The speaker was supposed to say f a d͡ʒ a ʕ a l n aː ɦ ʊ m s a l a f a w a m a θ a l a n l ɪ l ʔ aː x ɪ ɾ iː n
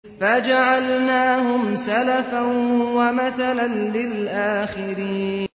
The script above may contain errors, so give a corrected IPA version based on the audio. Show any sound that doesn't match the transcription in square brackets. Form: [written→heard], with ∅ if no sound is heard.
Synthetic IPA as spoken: f a d͡ʒ a ʕ a l n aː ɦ ʊ m s a l a f a w a m a θ a l a n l ɪ l ʔ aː x ɪ ɾ iː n

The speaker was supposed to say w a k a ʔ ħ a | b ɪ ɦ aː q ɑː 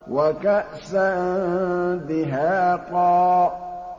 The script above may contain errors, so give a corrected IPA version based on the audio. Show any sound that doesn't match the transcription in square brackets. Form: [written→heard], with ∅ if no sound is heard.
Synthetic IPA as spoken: w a k a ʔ [ħ→s] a | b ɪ ɦ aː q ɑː

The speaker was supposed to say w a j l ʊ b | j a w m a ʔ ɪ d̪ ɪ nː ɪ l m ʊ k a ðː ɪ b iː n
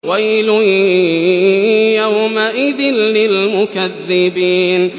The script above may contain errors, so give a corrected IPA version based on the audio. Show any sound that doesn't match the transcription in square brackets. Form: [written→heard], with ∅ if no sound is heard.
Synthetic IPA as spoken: w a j l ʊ [b→∅] | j a w m a ʔ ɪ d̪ ɪ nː ɪ l m ʊ k a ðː ɪ b iː n

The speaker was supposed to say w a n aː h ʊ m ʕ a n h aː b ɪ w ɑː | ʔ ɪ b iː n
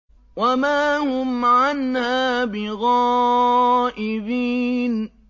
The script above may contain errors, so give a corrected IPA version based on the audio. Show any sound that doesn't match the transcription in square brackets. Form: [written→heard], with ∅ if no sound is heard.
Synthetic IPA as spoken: w a [n→m] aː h ʊ m ʕ a n h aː b ɪ [w→ɣ] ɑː | ʔ ɪ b iː n

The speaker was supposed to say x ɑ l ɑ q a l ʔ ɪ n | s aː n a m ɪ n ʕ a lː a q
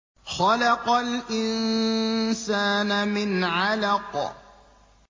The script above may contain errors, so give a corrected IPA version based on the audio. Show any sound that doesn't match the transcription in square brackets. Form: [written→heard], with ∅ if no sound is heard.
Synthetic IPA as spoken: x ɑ l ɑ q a l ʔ ɪ n | s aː n a m ɪ n ʕ a [lː→l] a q

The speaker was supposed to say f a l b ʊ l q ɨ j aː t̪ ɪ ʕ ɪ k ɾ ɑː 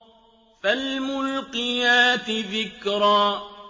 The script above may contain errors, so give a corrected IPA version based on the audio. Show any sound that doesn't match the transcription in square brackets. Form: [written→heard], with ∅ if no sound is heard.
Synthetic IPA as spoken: f a l [b→m] ʊ l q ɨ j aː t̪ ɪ [ʕ→ð] ɪ k ɾ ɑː

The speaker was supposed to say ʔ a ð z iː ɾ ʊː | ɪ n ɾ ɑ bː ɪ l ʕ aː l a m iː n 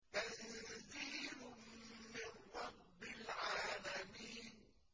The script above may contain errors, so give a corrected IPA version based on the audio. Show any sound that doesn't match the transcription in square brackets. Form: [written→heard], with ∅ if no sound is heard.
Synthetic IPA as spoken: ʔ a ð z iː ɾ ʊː | ɪ n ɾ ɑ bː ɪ l ʕ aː l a m iː n

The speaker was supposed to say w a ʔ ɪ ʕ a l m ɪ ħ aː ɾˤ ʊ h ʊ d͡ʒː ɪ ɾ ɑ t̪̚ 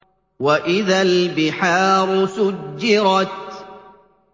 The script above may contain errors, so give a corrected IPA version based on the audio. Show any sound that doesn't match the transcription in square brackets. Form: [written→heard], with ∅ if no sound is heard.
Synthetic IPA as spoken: w a ʔ ɪ [ʕ→ð] a l [m→b] ɪ ħ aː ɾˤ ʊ [h→s] ʊ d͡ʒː ɪ ɾ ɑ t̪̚

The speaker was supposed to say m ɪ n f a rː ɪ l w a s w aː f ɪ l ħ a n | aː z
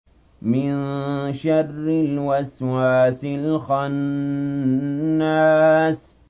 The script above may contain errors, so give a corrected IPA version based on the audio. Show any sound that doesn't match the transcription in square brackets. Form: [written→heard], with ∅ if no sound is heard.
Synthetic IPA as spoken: m ɪ n [f→ʃ] a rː ɪ l w a s w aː [f→s] ɪ l [ħ→x] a n | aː [z→s]

